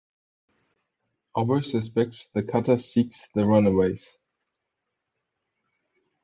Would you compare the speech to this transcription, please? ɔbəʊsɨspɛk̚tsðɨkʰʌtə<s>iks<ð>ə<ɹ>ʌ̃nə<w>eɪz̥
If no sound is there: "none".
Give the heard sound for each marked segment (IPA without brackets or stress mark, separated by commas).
s, ð, ɹ, w